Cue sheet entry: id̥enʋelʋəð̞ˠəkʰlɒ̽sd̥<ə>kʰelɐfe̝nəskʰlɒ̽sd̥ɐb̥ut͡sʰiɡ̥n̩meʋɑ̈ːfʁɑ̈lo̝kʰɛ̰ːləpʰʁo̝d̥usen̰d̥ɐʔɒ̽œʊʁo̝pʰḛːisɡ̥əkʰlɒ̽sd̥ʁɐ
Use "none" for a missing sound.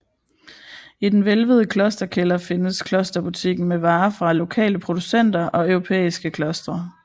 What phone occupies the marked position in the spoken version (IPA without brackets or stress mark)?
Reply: ɐ